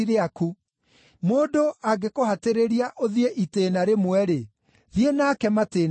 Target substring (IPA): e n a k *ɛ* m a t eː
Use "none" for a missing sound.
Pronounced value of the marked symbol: ɛ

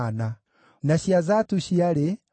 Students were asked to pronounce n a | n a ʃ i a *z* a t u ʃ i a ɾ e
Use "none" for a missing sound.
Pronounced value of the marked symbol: z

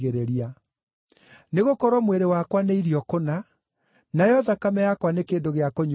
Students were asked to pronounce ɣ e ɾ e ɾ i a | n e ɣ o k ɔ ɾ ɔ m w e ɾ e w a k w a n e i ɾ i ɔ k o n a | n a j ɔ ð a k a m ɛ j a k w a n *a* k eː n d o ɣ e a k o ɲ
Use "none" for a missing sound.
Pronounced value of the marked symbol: e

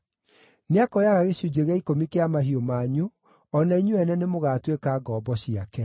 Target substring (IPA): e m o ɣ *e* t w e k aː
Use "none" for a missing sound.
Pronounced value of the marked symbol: a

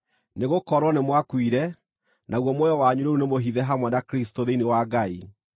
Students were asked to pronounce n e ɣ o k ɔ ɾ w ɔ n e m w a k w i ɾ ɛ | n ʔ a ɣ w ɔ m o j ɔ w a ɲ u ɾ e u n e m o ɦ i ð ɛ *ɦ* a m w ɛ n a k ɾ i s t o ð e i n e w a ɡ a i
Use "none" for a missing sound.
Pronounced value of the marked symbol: ɦ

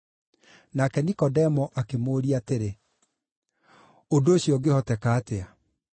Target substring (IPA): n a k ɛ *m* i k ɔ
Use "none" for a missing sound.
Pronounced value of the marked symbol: n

